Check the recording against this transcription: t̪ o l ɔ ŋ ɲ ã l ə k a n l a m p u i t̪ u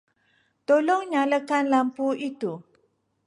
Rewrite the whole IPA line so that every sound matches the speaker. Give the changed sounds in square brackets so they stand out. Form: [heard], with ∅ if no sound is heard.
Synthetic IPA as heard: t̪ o l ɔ ŋ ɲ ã l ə k a n l a m p u i t̪ u